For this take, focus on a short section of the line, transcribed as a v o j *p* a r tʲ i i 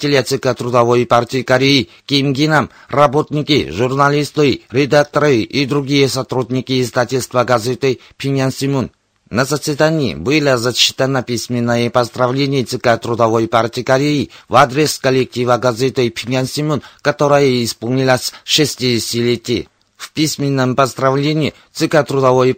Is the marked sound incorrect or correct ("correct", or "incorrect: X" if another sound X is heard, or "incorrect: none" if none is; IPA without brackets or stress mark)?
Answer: correct